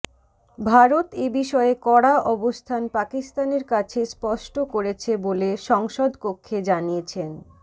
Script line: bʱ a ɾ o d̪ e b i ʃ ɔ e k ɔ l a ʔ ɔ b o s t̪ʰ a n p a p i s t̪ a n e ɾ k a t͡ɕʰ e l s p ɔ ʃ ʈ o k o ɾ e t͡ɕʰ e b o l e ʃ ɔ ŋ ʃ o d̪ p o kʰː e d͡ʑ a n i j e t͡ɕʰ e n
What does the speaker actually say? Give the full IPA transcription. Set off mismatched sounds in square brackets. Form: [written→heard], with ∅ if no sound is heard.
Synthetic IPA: bʱ a ɾ o [d̪→t̪] e b i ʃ ɔ e k ɔ [l→ɽ] a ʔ ɔ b o s t̪ʰ a n p a [p→k] i s t̪ a n e ɾ k a t͡ɕʰ e [l→∅] s p ɔ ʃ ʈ o k o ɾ e t͡ɕʰ e b o l e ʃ ɔ ŋ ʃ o d̪ p o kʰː e d͡ʑ a n i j e t͡ɕʰ e n